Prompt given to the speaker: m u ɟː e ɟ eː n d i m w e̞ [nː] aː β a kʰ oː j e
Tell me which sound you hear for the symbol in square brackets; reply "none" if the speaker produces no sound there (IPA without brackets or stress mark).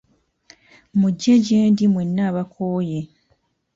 nː